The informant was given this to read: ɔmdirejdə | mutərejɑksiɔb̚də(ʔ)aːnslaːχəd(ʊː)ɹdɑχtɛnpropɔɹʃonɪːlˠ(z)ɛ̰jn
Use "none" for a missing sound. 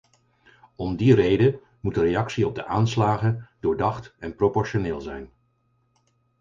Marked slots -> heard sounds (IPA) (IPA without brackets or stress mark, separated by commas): ʔ, ʊː, z